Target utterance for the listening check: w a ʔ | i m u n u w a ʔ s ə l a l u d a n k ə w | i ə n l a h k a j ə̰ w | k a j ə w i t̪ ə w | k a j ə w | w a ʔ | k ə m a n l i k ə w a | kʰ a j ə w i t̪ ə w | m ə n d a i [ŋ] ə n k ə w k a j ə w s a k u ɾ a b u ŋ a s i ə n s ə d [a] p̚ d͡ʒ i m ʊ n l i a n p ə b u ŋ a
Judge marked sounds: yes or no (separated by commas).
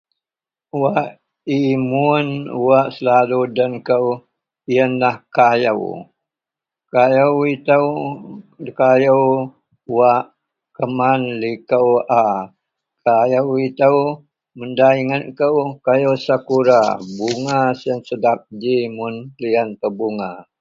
yes, yes